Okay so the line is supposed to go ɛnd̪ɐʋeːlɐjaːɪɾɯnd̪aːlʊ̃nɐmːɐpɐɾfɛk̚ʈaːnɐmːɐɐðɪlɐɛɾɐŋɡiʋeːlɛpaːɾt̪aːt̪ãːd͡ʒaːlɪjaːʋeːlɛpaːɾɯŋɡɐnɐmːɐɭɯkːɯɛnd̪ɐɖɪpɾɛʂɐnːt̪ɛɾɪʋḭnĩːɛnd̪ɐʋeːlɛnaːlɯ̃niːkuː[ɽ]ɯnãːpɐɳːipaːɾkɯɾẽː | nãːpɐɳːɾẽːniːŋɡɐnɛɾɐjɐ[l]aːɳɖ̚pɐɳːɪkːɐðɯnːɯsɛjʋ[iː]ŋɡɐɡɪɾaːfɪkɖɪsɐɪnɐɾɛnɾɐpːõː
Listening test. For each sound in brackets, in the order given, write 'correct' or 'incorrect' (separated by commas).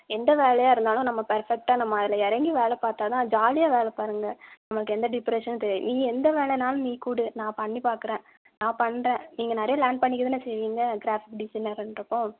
correct, correct, correct